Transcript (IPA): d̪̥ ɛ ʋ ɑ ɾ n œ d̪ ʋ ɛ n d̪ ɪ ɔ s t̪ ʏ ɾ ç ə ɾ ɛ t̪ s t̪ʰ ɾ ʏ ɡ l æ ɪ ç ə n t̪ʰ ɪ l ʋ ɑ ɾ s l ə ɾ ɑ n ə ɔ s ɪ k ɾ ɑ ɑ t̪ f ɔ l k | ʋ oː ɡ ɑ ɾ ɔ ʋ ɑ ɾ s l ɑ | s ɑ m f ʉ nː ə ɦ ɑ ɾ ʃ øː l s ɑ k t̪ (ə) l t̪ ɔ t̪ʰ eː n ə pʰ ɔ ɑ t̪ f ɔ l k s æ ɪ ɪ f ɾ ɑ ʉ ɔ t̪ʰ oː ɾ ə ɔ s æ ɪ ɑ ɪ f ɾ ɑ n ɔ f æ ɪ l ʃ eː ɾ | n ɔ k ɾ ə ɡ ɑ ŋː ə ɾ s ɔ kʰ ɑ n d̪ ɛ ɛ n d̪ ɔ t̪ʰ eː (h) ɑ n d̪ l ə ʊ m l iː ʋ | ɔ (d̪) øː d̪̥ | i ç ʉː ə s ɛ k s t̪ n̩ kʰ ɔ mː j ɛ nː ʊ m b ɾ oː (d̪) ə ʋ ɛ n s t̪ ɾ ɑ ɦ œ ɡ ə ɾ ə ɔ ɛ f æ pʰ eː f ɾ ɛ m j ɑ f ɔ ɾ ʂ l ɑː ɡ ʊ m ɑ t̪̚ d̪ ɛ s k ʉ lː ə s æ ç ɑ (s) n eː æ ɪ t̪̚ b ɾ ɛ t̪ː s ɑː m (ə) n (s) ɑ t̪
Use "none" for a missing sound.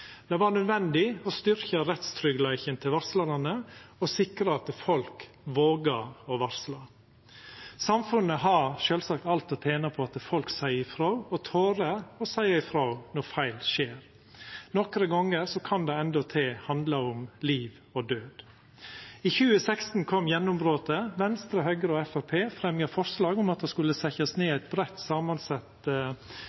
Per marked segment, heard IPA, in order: ɑ, h, d̪, t̪, s, ɑ, s

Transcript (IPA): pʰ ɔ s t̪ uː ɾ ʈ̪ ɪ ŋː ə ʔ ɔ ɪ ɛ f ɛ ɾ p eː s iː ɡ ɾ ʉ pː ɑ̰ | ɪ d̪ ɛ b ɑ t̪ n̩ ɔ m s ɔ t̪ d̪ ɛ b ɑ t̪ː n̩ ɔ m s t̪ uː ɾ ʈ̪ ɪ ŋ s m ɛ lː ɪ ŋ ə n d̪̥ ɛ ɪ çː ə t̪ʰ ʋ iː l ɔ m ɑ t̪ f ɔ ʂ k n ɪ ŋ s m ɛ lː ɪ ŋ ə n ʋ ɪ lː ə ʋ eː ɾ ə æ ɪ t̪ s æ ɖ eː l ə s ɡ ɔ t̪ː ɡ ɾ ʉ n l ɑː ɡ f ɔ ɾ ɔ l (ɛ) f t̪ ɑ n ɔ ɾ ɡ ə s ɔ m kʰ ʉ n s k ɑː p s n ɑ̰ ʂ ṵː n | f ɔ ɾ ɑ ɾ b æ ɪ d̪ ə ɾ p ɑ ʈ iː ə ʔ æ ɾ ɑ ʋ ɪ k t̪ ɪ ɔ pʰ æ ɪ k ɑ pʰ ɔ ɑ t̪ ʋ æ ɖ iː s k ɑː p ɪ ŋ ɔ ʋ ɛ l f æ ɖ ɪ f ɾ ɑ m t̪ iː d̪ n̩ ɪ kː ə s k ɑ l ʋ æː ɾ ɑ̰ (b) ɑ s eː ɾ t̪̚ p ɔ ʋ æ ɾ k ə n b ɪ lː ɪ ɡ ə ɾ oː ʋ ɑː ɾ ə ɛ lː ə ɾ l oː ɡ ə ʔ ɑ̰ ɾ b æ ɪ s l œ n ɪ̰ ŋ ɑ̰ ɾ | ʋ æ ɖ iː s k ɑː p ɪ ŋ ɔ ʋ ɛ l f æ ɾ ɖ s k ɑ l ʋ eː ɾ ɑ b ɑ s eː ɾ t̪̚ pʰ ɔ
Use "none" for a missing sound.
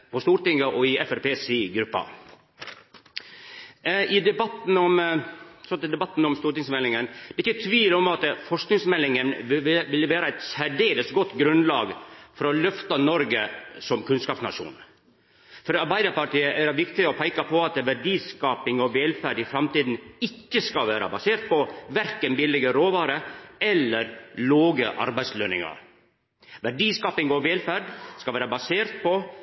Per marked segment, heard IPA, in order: œ, b

